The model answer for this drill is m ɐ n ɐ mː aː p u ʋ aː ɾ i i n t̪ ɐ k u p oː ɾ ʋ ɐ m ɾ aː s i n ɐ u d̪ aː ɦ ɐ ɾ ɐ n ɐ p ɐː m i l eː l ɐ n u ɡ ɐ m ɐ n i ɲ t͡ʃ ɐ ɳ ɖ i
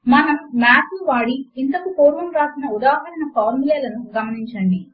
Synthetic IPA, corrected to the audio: m ɐ n ɐ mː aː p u ʋ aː ɽ i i n t̪ ɐ k u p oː ɾ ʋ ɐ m ɾ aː s i n ɐ u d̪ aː ɦ ɐ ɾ ɐ n ɐ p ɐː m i l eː l ɐ n u ɡ ɐ m ɐ n i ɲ t͡ʃ ɐ ɳ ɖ i

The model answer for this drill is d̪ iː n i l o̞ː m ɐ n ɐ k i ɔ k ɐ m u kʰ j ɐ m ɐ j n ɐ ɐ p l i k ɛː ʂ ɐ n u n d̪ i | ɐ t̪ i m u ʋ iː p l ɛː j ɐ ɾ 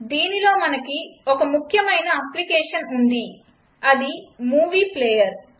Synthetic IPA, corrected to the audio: d̪ iː n i l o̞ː m ɐ n ɐ k i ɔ k ɐ m u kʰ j ɐ m ɐ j n ɐ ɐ p l i k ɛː ʂ ɐ n u n d̪ i | ɐ d̪ i m uː ʋ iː p l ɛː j ɐ ɾ

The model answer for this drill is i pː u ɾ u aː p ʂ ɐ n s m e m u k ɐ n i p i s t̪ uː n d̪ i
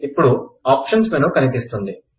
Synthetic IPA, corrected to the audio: i pː u ɽ u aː p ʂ ɐ n s m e n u k ɐ n i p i s t̪ u n d̪ i

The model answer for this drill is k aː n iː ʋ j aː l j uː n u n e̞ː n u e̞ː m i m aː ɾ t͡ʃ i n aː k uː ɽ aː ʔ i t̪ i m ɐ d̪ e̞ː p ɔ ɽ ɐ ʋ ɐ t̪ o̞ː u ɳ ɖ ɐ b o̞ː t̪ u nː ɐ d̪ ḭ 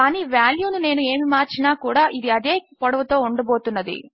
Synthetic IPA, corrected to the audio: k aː n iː ʋ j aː l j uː n u n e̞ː n u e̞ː m i m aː ɾ t͡ʃ i n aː k uː ɽ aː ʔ i d̪ i ɐ d̪ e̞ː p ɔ ɽ ɐ ʋ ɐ t̪ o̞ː u ɳ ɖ ɐ b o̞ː t̪ u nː ɐ d̪ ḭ

